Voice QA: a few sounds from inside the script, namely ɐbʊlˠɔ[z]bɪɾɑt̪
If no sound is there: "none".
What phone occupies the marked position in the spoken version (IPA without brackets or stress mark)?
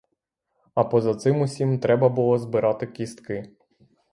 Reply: z